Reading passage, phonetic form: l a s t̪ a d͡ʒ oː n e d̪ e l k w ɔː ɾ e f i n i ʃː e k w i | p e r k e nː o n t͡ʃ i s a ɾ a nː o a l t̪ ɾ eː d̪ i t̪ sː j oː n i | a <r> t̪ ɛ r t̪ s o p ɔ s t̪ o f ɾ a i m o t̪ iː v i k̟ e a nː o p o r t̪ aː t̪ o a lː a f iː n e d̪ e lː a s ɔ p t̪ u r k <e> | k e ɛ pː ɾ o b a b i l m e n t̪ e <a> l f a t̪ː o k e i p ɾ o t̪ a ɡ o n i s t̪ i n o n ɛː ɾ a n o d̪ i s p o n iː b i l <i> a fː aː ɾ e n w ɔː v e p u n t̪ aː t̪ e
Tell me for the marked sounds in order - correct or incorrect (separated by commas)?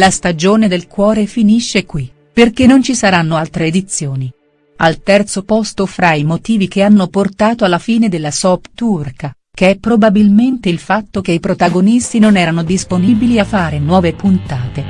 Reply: incorrect, incorrect, incorrect, correct